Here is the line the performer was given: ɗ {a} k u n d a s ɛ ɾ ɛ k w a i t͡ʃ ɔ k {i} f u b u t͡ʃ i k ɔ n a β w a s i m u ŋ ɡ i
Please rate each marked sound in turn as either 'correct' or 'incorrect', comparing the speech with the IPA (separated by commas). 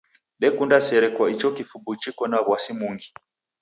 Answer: incorrect, correct